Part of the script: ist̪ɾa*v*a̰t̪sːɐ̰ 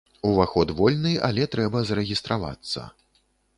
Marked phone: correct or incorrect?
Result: correct